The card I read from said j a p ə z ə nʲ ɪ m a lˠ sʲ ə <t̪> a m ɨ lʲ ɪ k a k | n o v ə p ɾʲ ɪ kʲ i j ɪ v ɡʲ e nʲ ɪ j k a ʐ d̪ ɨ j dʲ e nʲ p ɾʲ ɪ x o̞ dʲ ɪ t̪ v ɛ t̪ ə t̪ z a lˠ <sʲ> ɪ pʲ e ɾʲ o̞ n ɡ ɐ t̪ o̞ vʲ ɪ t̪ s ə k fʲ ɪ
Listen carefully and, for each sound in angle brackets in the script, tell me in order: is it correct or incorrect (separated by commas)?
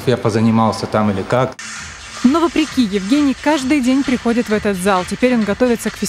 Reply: correct, incorrect